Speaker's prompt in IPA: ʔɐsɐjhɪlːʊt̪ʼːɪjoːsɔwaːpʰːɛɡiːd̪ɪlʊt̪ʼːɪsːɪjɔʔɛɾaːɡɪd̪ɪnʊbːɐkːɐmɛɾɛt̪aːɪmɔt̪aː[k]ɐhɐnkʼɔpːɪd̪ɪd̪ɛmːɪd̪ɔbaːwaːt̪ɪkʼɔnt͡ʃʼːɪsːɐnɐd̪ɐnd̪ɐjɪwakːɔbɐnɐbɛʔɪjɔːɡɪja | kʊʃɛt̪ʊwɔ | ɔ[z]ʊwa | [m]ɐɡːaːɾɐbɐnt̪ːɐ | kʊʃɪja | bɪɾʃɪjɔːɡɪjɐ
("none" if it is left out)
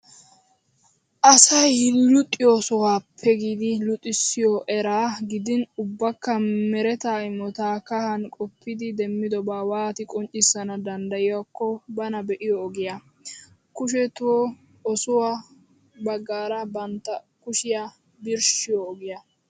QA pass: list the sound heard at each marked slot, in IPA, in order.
k, s, b

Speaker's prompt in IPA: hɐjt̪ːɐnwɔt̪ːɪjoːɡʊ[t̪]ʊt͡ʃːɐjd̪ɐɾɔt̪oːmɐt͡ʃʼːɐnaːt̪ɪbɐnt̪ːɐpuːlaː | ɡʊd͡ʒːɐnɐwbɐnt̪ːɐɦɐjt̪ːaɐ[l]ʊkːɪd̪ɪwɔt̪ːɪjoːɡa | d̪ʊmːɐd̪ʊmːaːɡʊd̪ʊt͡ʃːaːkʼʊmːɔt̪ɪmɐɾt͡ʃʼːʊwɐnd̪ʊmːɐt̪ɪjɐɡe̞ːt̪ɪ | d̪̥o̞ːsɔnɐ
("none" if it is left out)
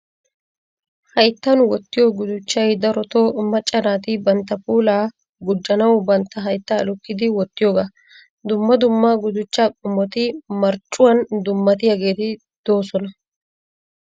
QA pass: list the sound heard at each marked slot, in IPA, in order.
d̪, l

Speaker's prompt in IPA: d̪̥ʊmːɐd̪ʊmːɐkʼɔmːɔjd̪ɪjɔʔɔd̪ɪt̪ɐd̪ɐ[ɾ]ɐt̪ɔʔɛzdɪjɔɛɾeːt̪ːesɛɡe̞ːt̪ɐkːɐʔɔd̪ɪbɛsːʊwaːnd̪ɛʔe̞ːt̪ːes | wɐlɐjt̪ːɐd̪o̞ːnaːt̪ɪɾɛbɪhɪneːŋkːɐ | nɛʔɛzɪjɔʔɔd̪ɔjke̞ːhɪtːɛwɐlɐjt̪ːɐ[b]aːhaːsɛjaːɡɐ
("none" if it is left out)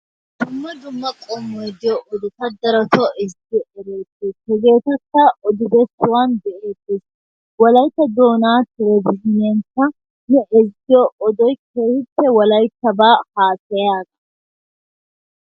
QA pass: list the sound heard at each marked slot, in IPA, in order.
ɾ, b

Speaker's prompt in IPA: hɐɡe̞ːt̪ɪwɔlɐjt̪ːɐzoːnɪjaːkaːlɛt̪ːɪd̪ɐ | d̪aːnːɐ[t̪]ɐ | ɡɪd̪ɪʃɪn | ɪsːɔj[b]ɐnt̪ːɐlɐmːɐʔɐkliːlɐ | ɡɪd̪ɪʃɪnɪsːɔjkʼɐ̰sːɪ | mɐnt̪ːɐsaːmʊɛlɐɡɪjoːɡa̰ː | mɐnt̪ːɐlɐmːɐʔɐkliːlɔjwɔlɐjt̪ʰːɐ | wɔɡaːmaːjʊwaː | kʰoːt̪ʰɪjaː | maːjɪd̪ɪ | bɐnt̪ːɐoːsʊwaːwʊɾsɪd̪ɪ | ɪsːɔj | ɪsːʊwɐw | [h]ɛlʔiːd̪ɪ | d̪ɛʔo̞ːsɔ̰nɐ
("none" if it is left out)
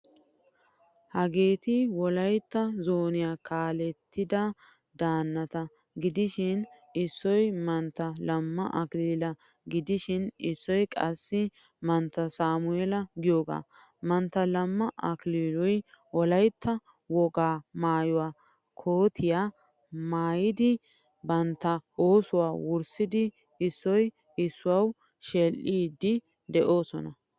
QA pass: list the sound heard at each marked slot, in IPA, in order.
t̪, m, ʃ

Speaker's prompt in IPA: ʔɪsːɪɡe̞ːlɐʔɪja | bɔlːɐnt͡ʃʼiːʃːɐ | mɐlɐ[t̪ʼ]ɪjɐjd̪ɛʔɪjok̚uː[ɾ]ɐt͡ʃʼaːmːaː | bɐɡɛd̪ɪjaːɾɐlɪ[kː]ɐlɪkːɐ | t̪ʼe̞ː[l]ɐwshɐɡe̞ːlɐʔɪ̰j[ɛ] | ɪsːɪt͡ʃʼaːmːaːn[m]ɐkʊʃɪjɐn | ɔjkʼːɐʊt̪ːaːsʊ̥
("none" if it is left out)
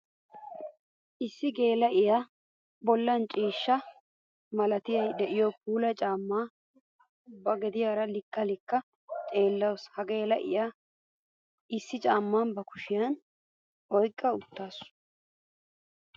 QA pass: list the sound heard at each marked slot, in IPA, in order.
t̪, l, kː, lː, a, b

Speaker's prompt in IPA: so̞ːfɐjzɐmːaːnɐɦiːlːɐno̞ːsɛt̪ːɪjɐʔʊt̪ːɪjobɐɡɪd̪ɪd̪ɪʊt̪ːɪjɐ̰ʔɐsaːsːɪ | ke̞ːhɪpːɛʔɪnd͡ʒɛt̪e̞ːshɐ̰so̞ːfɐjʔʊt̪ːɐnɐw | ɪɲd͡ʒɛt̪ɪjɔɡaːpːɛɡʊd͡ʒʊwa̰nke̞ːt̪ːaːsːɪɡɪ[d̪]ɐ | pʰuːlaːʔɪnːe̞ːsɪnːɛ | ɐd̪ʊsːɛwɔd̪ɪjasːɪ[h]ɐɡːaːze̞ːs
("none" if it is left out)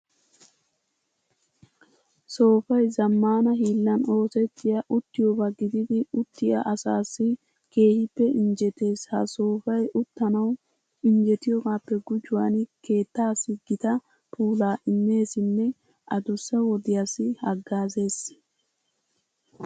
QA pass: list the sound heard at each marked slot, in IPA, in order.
t̪, h

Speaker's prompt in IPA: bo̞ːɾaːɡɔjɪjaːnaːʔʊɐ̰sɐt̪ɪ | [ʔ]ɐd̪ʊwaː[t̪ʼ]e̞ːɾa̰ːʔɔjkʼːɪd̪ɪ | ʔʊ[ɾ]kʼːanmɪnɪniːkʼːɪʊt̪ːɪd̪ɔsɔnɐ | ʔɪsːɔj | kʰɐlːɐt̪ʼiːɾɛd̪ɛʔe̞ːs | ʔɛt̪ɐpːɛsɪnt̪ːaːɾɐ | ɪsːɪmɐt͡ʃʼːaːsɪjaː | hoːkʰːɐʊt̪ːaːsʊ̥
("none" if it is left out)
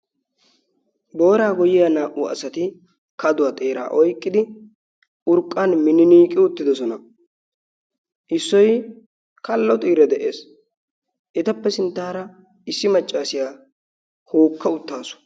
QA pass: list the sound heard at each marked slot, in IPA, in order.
k, t̪ʼ, ɾ

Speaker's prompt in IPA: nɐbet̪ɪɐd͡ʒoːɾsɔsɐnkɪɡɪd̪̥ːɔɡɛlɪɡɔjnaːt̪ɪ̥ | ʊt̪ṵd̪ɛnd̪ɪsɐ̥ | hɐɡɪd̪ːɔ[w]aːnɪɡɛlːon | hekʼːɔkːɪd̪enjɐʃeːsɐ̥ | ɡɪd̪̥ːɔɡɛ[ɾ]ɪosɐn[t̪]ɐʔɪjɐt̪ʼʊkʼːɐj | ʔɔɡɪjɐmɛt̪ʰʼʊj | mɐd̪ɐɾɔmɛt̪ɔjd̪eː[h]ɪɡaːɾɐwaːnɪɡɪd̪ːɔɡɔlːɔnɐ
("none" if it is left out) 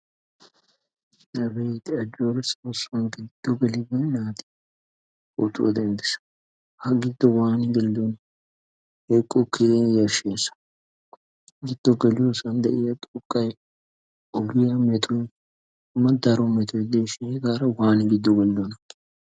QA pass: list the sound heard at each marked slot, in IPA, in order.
w, l, d̪, ʃ

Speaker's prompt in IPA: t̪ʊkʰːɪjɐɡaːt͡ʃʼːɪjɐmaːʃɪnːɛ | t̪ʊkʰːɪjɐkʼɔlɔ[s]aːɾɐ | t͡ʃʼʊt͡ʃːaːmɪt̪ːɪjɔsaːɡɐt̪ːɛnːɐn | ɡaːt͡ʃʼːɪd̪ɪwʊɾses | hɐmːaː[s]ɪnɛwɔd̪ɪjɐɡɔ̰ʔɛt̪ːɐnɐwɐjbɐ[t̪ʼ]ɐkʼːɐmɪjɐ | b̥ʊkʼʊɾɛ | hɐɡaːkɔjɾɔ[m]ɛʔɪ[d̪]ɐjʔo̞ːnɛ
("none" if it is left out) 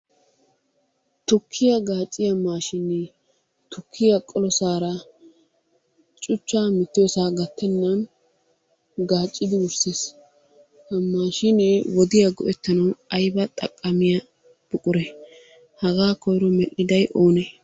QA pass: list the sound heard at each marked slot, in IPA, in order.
s, ʃ, t̪ʼ, m, d̪

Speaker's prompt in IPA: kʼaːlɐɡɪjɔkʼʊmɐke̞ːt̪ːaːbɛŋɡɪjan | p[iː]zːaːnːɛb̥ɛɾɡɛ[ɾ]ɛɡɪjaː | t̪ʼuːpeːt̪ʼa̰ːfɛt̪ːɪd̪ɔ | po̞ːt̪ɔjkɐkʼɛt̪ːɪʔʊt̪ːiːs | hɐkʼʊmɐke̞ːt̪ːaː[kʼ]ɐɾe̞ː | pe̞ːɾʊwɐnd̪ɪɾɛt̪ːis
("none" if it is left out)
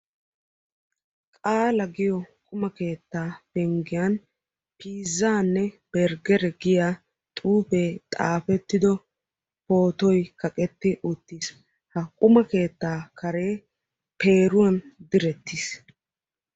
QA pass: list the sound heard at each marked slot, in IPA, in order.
iː, ɾ, k

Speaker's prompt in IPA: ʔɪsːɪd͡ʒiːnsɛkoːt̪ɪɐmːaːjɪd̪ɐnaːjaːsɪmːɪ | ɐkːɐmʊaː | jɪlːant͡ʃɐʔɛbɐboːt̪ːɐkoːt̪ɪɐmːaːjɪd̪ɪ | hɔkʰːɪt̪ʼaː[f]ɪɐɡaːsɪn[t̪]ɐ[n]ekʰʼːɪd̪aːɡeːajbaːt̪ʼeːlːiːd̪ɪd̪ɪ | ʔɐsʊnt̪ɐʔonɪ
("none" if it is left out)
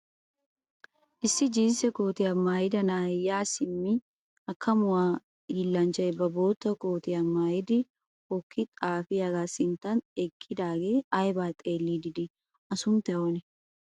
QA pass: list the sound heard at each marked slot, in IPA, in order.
f, t̪, n

